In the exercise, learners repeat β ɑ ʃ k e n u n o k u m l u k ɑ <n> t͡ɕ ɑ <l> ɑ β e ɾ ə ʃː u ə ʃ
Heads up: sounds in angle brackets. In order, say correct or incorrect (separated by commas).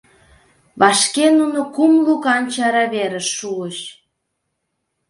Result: correct, incorrect